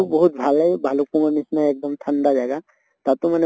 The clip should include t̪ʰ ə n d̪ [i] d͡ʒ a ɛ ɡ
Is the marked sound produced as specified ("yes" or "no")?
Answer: no